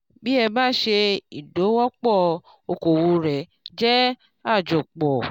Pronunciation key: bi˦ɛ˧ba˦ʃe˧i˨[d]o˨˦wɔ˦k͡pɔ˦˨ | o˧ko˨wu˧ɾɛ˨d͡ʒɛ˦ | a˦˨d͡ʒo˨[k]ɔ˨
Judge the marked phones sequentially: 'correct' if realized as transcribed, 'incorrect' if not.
correct, incorrect

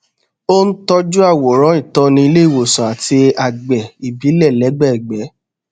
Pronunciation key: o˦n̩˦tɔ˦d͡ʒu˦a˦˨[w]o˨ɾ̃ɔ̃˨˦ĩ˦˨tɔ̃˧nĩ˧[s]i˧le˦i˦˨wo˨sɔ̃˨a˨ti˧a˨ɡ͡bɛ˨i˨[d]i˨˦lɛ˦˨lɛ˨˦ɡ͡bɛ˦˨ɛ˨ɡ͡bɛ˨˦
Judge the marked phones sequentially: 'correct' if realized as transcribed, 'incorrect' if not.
correct, incorrect, incorrect

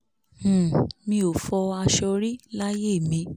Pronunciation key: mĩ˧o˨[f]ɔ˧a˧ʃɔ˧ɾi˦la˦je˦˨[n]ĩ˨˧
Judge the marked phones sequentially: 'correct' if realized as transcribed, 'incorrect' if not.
correct, incorrect

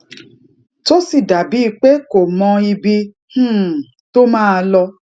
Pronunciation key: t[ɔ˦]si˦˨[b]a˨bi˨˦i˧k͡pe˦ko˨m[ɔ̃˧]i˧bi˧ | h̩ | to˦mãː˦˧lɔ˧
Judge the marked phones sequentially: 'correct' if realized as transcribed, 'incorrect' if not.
incorrect, incorrect, correct

